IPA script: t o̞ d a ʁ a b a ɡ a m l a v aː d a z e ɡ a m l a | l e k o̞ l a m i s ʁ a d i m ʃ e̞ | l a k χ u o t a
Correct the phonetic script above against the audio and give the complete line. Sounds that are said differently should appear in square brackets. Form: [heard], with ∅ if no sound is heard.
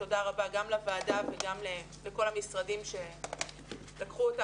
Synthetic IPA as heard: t o̞ d a ʁ a b a ɡ a m l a v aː d a [v] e ɡ a m l [e] | l e k o̞ l a m i s ʁ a d i m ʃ e̞ | l a k χ u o t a